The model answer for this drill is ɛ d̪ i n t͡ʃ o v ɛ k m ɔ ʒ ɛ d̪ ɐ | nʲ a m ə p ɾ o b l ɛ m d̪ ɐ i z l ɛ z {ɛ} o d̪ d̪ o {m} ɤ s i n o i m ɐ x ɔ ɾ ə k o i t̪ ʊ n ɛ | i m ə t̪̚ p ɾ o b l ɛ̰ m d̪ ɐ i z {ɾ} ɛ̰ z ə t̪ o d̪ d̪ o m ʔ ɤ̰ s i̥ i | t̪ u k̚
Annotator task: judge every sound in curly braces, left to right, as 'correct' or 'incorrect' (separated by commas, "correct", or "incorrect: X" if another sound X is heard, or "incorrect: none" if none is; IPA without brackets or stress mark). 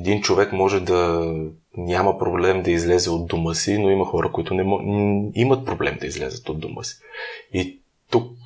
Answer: correct, correct, incorrect: l